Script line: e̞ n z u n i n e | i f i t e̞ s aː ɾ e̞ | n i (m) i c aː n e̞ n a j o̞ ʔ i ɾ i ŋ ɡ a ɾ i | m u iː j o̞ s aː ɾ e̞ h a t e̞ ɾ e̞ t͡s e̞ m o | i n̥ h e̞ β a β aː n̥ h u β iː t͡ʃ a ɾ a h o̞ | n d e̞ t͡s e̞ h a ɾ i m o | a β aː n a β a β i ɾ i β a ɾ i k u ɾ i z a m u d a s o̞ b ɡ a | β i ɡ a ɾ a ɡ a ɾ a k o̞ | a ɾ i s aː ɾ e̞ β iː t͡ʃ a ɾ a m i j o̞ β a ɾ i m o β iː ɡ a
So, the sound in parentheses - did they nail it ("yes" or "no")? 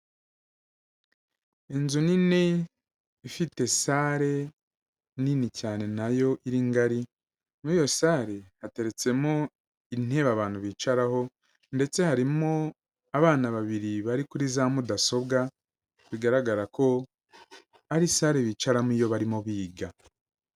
no